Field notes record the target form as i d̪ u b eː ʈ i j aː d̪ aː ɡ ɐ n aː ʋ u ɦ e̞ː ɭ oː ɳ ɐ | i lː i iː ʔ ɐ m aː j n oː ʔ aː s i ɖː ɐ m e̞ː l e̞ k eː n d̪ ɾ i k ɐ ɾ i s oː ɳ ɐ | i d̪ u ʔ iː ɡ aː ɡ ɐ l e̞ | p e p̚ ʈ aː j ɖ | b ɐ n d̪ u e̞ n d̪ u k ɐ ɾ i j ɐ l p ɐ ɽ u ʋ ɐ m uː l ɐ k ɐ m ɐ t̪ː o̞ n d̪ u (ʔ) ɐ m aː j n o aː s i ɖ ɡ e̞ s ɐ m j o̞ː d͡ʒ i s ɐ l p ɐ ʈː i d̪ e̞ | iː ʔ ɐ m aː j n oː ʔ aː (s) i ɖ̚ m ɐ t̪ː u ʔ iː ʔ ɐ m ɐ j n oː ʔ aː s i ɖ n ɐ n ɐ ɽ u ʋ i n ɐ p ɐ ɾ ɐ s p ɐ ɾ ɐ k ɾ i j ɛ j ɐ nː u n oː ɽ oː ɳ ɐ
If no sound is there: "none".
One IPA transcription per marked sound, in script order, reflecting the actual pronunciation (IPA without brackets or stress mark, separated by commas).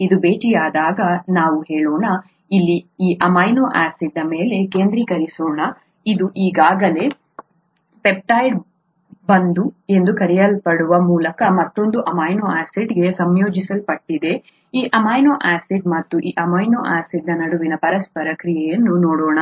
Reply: ʔ, s